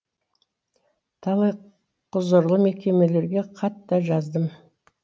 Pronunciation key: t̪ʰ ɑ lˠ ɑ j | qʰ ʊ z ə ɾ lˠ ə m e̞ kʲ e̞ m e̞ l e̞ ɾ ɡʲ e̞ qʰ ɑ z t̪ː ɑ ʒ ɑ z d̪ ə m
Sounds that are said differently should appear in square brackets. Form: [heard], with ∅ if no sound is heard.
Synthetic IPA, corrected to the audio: t̪ʰ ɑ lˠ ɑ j | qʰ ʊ z ə ɾ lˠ ə m e̞ kʲ e̞ m e̞ l e̞ ɾ ɡʲ e̞ qʰ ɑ [∅] t̪ː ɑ ʒ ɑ z d̪ ə m